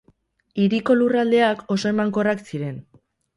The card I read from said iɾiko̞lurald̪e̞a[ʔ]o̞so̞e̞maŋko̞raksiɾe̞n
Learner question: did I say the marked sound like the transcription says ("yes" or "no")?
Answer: no